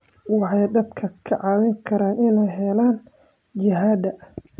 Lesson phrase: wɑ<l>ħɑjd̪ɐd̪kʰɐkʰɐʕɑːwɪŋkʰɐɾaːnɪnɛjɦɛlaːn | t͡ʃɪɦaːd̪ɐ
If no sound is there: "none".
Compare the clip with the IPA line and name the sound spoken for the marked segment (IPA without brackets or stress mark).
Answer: none